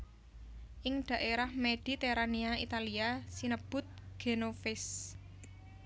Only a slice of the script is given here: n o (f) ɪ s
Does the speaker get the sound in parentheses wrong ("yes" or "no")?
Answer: no